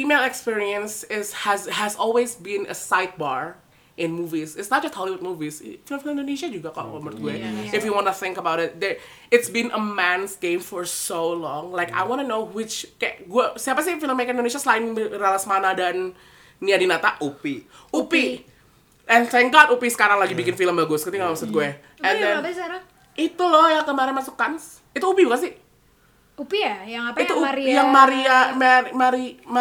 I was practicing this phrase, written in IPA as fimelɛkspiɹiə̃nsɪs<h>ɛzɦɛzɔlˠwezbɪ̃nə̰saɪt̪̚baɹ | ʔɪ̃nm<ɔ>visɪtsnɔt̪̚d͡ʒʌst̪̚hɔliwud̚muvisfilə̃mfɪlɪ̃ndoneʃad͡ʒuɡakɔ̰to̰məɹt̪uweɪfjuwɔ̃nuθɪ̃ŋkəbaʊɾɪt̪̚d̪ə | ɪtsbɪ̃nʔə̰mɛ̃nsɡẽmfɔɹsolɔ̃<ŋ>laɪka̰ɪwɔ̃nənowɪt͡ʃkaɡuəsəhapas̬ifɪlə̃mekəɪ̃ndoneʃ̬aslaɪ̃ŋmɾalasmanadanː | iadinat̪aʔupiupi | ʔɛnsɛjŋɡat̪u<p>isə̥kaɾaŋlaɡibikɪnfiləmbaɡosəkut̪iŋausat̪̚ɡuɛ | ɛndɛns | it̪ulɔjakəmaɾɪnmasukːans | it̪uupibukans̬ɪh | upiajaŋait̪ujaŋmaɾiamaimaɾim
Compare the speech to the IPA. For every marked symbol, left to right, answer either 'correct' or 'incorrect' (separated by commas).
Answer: correct, incorrect, correct, correct